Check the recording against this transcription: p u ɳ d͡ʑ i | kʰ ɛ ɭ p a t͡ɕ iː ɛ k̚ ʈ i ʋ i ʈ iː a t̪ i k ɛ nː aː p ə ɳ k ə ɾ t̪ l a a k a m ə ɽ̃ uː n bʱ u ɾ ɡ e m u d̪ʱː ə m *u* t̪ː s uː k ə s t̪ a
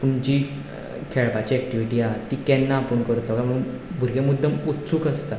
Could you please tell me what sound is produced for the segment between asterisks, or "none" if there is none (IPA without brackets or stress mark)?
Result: u